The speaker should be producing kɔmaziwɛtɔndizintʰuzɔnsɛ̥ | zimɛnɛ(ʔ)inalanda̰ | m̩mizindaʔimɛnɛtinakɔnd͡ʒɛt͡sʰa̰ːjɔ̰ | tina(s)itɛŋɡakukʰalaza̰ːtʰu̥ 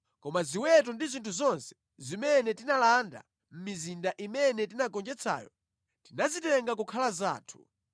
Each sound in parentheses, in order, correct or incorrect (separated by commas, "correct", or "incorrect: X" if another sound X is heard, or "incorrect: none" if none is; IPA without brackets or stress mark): incorrect: t, incorrect: z